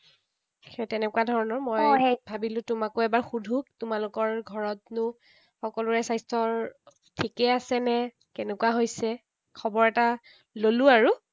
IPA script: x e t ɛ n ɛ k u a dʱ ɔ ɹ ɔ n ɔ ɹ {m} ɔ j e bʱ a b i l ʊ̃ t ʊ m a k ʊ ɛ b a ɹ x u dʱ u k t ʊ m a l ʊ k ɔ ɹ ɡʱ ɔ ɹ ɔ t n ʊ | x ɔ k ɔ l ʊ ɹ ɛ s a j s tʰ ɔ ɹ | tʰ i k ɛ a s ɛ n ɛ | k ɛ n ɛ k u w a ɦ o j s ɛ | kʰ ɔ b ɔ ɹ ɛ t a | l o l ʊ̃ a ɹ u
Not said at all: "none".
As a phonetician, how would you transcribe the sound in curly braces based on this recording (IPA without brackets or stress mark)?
m